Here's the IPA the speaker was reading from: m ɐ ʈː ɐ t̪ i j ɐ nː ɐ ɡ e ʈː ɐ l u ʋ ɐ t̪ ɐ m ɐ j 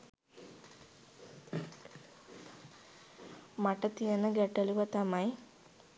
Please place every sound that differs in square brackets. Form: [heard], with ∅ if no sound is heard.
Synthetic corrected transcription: m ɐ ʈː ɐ t̪ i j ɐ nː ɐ ɡ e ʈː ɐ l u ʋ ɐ t̪ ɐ m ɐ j